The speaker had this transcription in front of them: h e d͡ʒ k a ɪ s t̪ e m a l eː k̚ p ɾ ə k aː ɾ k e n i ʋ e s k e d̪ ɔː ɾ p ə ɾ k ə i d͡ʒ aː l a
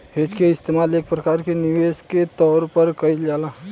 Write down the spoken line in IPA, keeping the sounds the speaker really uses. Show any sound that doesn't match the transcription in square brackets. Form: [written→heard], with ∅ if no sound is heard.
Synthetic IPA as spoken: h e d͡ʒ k [a→e] ɪ s t̪ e m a l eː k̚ p ɾ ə k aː ɾ k e n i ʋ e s k e [d̪→t̪] ɔː ɾ p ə ɾ k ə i d͡ʒ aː l a